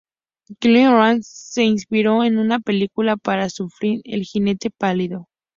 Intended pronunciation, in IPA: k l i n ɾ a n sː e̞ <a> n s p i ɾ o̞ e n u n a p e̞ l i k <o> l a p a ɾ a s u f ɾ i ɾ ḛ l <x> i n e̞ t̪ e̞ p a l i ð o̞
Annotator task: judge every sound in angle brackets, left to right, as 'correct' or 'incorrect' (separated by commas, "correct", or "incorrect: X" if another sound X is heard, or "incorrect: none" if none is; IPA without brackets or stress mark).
incorrect: i, incorrect: u, correct